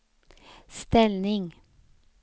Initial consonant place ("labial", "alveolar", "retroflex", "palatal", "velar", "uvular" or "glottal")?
alveolar